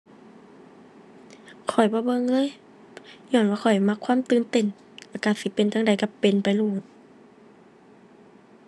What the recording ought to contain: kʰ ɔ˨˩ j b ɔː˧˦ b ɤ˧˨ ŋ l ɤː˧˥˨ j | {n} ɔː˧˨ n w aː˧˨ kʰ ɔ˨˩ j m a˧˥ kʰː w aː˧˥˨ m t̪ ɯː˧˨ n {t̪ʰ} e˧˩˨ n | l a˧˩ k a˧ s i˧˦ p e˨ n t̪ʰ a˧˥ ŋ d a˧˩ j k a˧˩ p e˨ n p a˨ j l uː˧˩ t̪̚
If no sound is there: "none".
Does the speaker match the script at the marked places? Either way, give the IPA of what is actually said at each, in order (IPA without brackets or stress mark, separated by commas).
ɲ, t̪